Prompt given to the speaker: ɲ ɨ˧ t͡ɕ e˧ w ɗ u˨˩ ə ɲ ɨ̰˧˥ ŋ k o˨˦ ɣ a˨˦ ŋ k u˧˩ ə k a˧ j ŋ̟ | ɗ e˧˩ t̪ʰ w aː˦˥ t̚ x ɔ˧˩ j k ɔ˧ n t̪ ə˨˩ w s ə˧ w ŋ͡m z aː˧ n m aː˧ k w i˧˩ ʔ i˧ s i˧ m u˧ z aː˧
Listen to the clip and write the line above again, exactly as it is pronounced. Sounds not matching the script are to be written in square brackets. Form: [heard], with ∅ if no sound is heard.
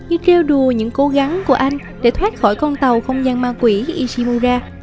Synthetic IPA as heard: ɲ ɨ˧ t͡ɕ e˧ w ɗ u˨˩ ə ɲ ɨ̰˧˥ ŋ k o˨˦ ɣ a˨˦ ŋ k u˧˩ ə [ʔ] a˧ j ŋ̟ | ɗ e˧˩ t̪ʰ w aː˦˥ t̚ x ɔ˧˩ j k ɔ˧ n t̪ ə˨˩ w [x] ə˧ w ŋ͡m z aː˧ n m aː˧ k w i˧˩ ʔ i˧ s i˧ m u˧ z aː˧